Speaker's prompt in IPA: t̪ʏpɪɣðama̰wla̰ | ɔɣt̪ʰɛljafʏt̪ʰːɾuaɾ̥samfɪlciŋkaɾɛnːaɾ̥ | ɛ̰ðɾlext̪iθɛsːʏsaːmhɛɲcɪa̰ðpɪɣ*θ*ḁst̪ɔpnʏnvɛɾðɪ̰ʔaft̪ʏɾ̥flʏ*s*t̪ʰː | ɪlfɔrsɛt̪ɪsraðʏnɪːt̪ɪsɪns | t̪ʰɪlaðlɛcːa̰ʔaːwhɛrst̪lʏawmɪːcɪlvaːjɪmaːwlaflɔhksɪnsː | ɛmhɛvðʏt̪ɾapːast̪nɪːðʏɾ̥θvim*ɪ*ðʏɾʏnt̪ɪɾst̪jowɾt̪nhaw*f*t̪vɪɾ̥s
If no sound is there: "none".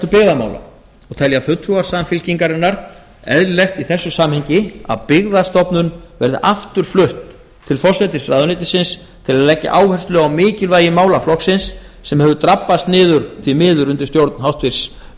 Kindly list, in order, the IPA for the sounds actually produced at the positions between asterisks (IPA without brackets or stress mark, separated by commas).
ð, h, ɪː, h